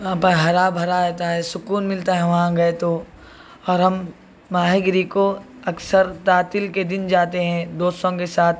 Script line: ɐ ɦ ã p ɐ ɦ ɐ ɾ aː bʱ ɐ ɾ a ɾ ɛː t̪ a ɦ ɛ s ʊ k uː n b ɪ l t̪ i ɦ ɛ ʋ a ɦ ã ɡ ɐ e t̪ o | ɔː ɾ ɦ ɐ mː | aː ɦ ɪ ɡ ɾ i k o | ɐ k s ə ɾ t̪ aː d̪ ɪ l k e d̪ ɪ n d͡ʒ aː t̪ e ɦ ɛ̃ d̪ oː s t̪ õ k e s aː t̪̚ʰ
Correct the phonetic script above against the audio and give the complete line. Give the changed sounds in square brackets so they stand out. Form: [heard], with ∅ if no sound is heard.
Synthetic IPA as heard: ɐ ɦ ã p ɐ ɦ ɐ ɾ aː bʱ ɐ ɾ a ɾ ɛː t̪ a ɦ ɛ s ʊ k uː n [m] ɪ l t̪ [a] ɦ ɛ ʋ [ɐ] ɦ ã ɡ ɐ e t̪ o | ɔː ɾ ɦ ɐ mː | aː ɦ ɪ ɡ ɾ i k o | ɐ k s ə ɾ t̪ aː [t̪] ɪ l k e d̪ ɪ n d͡ʒ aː t̪ e ɦ ɛ̃ d̪ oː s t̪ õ k e s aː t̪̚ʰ